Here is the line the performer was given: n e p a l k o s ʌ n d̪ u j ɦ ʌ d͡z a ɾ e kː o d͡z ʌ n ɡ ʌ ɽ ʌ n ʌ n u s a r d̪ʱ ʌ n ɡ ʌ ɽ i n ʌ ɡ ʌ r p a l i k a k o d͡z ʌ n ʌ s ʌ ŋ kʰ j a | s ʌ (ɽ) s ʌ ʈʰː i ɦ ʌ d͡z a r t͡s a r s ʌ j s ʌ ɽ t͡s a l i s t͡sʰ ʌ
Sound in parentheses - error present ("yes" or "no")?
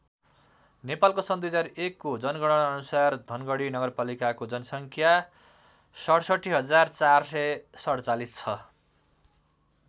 no